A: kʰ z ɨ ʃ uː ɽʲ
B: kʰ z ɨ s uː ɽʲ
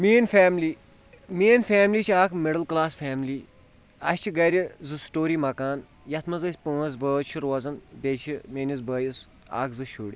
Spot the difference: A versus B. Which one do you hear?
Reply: A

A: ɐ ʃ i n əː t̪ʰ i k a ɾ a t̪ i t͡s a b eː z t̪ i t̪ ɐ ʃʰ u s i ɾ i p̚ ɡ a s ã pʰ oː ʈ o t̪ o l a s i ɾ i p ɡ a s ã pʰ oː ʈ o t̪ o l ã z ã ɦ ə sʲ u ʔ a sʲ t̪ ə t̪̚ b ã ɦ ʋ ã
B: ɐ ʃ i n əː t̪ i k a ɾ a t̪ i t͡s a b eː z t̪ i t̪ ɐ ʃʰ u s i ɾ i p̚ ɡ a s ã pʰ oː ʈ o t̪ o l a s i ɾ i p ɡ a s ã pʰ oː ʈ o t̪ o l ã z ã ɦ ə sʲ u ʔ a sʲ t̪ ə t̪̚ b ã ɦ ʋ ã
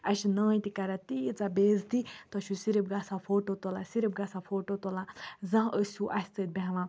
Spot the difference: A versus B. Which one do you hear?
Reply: B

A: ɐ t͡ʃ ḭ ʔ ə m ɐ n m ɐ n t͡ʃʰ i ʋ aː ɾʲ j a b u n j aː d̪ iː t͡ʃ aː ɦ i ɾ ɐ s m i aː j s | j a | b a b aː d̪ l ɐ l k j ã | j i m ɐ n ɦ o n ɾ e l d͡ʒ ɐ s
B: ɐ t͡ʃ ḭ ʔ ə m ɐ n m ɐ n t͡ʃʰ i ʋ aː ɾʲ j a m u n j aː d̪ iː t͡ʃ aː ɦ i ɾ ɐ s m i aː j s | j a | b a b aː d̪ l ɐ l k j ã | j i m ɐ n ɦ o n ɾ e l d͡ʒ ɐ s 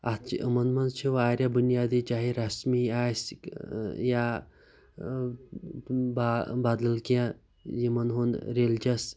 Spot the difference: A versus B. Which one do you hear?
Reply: A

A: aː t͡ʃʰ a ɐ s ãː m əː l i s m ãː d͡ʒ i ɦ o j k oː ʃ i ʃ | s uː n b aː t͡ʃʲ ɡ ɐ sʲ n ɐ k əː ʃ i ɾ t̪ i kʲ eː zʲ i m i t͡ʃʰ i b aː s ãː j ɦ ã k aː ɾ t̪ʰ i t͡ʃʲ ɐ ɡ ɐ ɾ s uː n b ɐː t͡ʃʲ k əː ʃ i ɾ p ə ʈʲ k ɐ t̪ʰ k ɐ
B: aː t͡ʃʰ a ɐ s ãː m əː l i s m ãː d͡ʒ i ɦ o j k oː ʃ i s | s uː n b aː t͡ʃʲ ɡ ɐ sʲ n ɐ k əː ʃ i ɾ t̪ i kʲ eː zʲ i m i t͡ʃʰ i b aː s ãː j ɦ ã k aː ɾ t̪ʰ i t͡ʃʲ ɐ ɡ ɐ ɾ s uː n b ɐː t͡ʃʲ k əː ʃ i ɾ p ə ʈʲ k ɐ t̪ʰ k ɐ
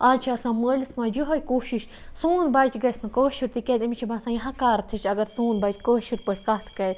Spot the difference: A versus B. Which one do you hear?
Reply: A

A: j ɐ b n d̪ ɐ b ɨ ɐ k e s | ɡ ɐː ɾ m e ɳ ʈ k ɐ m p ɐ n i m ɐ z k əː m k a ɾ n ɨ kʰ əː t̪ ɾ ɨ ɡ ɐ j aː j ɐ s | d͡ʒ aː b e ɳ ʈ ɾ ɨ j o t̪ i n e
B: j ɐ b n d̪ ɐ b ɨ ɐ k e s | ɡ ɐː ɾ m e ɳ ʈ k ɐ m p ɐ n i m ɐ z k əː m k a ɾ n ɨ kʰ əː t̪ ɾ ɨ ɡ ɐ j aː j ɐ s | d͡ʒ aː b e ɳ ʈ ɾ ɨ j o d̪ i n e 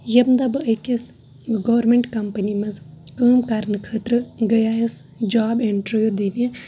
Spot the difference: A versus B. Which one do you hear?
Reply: B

